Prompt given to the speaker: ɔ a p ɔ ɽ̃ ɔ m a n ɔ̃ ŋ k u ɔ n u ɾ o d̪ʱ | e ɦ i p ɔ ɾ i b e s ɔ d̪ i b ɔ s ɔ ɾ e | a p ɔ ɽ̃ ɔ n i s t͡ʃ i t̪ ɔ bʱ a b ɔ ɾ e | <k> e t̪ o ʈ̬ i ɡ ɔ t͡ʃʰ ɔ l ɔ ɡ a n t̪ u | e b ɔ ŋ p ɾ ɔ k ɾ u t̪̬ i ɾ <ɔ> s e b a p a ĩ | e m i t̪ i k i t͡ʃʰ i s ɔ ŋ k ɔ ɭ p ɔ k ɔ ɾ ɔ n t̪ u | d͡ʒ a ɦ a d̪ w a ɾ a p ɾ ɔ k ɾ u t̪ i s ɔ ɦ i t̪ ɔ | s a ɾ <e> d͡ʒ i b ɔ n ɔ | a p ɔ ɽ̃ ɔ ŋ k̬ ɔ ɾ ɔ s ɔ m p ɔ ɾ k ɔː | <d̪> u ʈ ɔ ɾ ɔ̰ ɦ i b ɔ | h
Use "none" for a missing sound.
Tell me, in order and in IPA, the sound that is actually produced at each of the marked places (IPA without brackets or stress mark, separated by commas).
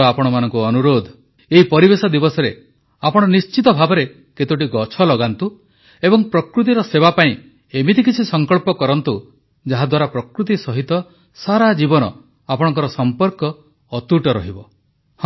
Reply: k, ɔ, a, t̪